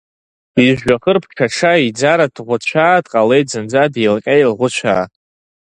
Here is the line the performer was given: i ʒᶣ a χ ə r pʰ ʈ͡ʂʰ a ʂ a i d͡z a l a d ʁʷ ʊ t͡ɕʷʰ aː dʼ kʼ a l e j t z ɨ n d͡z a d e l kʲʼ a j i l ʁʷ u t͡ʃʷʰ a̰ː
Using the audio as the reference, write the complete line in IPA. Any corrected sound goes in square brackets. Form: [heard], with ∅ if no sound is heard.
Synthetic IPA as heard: i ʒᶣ a χ ə r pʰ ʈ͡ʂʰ a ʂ a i d͡z a [ɾ] a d ʁʷ ʊ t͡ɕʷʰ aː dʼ [qʼ] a l e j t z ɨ n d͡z a d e l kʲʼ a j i l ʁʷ [ʊ] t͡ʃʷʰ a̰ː